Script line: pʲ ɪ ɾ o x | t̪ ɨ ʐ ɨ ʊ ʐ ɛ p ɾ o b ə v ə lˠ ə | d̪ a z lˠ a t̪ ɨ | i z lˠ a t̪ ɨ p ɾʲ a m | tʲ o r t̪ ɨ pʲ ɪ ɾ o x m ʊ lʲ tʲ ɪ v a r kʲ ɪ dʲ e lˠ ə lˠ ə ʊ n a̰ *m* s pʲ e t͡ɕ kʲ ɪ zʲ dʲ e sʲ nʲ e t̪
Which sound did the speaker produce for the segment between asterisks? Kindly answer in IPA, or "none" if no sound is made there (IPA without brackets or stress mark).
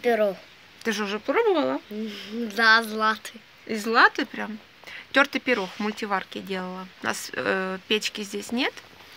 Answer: none